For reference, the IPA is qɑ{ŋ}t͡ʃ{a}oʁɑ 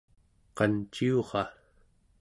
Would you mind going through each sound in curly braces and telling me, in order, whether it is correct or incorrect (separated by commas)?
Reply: incorrect, incorrect